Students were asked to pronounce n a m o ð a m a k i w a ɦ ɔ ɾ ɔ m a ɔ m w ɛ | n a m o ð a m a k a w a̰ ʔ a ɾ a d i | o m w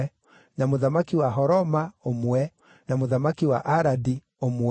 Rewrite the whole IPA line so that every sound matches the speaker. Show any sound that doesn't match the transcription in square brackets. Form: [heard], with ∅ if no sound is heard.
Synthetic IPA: n a m o ð a m a k i w a ɦ ɔ ɾ ɔ m a [o] m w ɛ | n a m o ð a m a k [i] w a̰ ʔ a ɾ a d i | o m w